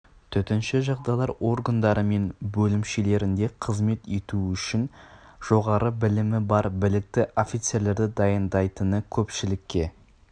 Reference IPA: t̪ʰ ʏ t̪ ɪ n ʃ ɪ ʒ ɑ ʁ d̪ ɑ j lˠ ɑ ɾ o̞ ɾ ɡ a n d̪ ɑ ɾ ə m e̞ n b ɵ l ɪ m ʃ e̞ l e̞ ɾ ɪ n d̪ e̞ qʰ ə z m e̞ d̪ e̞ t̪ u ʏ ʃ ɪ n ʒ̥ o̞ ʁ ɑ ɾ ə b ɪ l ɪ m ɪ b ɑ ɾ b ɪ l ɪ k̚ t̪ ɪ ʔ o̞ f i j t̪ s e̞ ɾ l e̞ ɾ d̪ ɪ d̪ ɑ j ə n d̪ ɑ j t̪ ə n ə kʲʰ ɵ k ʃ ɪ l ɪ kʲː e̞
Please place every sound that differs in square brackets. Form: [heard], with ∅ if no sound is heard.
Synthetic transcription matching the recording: t̪ʰ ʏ t̪ ɪ n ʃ ɪ ʒ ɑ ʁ d̪ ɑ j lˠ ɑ ɾ o̞ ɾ ɡ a n d̪ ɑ ɾ ə m e̞ n b ɵ l ɪ m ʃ e̞ l e̞ ɾ ɪ n d̪ e̞ qʰ ə z m e̞ [t̪] e̞ t̪ u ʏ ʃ ɪ n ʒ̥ o̞ ʁ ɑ ɾ ə b ɪ l ɪ m ɪ b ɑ ɾ b ɪ l ɪ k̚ t̪ ɪ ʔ o̞ f i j t̪ s e̞ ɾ l e̞ ɾ d̪ ɪ d̪ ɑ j ə n d̪ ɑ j t̪ ə n ə kʲʰ ɵ [p] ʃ ɪ l ɪ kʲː e̞